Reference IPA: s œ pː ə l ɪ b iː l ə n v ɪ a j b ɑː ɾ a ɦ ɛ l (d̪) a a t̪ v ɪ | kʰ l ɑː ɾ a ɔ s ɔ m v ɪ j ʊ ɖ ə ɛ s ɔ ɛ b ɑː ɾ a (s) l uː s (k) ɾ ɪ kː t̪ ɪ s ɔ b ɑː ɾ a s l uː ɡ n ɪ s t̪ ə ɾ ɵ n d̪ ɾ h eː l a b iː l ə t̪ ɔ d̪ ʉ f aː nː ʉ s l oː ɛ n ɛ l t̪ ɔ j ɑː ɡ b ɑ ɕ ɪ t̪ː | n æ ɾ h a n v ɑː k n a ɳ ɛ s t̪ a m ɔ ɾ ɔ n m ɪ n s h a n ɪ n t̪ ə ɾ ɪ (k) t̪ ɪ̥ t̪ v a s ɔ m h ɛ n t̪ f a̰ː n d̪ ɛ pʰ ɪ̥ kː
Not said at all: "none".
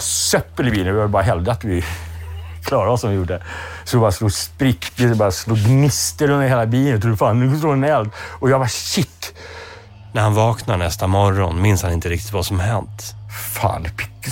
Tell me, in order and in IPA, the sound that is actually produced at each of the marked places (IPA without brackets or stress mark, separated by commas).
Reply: d̪, s, p, k